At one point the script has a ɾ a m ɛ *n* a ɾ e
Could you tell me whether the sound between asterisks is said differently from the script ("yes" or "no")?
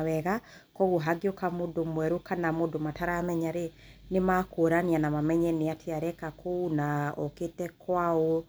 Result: yes